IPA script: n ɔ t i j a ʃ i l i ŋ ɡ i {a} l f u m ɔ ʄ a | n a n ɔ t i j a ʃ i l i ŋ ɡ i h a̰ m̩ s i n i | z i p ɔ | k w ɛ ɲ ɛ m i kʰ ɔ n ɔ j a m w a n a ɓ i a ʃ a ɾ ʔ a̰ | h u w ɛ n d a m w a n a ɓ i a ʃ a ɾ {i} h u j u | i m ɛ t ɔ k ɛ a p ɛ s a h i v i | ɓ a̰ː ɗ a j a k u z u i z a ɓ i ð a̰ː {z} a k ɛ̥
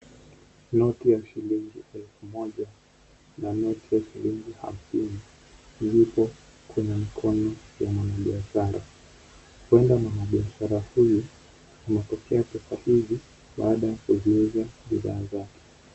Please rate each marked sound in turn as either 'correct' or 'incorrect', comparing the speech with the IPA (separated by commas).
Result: incorrect, incorrect, correct